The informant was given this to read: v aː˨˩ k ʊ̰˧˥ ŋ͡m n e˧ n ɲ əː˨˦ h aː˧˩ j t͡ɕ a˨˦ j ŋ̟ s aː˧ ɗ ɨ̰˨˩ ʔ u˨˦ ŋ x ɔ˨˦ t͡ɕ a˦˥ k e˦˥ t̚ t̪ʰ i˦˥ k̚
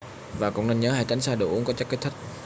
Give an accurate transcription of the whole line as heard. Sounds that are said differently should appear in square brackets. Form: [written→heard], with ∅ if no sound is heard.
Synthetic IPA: v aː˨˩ k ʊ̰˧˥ ŋ͡m n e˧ n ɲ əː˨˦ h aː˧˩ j t͡ɕ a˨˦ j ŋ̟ s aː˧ ɗ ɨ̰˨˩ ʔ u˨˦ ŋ [x→k] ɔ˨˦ t͡ɕ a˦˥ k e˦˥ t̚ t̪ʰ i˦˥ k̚

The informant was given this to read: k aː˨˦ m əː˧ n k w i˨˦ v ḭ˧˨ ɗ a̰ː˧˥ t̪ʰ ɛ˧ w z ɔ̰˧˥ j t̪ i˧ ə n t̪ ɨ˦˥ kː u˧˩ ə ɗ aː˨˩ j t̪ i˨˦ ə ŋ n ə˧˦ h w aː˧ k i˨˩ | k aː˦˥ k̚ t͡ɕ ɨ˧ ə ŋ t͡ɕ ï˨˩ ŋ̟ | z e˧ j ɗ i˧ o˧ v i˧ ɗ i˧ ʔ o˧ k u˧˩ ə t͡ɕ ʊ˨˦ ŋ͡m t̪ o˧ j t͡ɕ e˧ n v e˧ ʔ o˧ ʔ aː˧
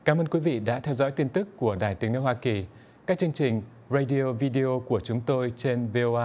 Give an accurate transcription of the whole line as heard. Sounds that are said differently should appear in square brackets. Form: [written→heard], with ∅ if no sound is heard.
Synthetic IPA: k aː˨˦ m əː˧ n k w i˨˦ v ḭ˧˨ ɗ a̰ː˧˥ t̪ʰ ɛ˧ w z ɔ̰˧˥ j t̪ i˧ ə n t̪ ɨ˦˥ kː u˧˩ ə ɗ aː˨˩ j t̪ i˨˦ ə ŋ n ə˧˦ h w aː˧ k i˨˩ | k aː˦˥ k̚ t͡ɕ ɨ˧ ə ŋ t͡ɕ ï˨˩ ŋ̟ | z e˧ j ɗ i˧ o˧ v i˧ ɗ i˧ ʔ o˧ k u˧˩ ə t͡ɕ ʊ˨˦ ŋ͡m t̪ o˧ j t͡ɕ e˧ n v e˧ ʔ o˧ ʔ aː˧

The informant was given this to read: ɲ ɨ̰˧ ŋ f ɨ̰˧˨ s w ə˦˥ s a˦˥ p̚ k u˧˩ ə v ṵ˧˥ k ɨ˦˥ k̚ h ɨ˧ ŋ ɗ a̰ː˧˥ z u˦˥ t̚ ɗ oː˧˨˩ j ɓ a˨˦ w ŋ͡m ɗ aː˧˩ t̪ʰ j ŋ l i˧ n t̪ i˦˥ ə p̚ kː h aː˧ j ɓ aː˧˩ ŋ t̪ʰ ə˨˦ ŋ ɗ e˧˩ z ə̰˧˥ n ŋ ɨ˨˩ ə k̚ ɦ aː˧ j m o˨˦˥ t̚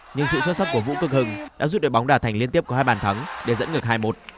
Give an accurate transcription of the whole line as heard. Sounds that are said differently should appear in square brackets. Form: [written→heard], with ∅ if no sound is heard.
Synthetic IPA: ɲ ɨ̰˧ ŋ [f→s] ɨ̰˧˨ s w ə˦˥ s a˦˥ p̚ k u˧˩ ə v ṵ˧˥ k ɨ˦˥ k̚ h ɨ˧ ŋ ɗ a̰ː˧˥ z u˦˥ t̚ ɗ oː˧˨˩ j ɓ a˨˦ w ŋ͡m ɗ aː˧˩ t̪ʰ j ŋ l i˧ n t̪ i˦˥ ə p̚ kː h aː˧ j ɓ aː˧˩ [ŋ→n] t̪ʰ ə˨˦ ŋ ɗ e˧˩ z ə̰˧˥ n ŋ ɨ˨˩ ə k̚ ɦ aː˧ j m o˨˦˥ t̚

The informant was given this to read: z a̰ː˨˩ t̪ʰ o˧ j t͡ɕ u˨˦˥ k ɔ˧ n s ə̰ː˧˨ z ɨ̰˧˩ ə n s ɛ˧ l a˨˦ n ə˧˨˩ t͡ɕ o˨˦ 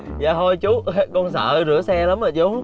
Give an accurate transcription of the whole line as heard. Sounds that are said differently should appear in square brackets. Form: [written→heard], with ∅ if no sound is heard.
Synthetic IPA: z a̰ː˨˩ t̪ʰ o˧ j t͡ɕ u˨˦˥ k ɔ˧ n s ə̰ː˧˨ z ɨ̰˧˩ ə [n→∅] s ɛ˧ l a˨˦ [n→m] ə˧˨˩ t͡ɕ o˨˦

